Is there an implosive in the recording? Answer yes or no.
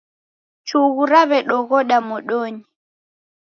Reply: yes